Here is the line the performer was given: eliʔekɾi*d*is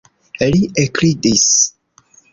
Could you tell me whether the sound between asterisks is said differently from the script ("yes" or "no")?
no